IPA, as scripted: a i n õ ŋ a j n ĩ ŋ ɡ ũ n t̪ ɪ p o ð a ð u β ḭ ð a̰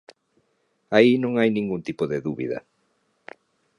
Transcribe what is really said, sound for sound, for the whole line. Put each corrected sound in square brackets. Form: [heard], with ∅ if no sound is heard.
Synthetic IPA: a i n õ ŋ a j n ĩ ŋ ɡ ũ n t̪ [i] p o ð [e] ð u β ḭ ð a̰